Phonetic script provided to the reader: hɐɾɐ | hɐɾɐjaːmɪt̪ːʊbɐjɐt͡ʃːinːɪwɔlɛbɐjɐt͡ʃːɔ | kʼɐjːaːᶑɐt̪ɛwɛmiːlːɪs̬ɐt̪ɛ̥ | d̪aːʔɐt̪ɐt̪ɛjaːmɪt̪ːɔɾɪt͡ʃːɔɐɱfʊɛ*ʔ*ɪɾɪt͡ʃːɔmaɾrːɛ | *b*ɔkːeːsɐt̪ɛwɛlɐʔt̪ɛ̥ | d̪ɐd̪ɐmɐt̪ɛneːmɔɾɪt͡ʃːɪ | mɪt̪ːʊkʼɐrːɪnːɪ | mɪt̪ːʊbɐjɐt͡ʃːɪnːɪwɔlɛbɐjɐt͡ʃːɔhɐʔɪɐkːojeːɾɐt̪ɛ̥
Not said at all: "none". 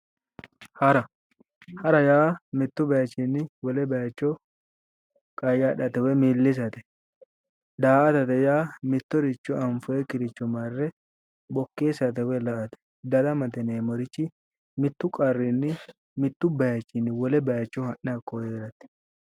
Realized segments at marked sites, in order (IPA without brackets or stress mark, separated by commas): k, b